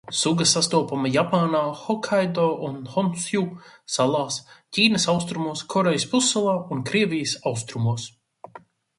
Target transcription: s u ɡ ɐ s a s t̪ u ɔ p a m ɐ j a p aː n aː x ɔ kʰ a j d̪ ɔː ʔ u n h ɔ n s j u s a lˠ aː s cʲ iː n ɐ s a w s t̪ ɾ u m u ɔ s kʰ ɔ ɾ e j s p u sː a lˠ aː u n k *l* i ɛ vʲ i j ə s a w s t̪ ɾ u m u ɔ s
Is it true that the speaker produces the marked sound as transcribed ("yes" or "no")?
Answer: no